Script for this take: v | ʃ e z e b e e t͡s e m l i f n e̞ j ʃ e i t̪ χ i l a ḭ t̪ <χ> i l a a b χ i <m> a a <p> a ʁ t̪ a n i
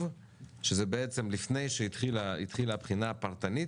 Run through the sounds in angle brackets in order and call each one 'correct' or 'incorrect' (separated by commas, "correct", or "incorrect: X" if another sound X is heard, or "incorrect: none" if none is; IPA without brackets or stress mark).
correct, incorrect: n, correct